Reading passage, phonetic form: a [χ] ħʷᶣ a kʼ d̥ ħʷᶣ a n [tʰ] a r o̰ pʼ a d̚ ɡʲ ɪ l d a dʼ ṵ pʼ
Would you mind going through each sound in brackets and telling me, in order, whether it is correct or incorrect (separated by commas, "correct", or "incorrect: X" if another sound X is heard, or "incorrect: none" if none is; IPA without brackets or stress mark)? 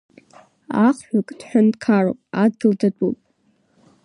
correct, incorrect: kʰ